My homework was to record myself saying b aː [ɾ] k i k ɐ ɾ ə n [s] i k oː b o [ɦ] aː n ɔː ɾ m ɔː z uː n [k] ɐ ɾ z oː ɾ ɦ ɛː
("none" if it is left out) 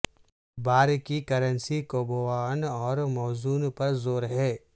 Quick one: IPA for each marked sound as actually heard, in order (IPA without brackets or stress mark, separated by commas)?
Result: ɾ, s, none, p